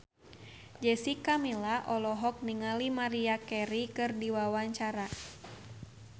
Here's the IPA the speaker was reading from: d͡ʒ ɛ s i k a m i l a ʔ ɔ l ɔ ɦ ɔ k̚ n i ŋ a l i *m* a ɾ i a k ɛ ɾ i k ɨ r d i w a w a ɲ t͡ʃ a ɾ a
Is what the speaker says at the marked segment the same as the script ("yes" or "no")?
yes